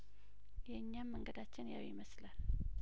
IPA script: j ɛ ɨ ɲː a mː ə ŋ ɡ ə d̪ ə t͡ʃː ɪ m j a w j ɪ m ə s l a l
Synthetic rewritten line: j ɛ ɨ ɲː a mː ə ŋ ɡ ə d̪ a t͡ʃː ɪ n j a w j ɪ m ə s l a l